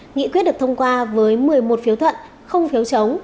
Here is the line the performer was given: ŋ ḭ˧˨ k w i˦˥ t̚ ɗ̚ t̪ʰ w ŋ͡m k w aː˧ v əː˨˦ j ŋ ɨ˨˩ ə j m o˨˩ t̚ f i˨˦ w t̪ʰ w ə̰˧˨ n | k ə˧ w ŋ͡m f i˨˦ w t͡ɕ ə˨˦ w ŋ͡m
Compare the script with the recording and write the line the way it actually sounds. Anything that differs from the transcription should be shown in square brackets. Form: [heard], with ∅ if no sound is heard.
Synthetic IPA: ŋ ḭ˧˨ k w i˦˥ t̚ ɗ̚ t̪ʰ w ŋ͡m k w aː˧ v əː˨˦ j [m] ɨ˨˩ ə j m o˨˩ t̚ f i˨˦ w t̪ʰ w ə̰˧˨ n | [x] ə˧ w ŋ͡m f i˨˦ w t͡ɕ ə˨˦ w ŋ͡m